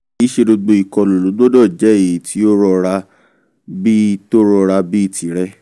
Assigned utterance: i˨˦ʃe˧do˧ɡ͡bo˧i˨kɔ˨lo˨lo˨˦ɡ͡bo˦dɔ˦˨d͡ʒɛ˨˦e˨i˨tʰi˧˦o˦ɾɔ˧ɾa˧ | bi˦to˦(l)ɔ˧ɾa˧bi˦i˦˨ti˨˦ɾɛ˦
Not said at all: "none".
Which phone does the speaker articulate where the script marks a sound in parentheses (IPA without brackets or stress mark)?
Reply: ɾ